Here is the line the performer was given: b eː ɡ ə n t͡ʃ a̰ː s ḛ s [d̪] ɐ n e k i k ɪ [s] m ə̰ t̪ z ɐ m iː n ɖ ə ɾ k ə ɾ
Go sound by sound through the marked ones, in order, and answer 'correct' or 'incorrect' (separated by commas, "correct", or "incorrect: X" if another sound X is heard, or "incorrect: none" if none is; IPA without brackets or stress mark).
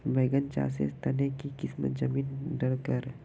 incorrect: t̪, correct